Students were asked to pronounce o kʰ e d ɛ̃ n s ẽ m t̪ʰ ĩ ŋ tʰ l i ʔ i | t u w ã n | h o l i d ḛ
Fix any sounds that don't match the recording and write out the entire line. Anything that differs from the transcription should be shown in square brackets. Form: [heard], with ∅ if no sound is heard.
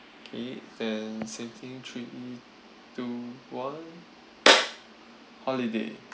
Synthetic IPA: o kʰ e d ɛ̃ n s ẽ m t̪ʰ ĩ ŋ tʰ [ɹ] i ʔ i | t u w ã n | h [ɔ] l i d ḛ